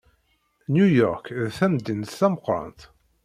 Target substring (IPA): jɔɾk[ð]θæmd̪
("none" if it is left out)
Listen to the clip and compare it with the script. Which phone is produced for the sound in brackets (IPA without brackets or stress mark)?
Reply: ð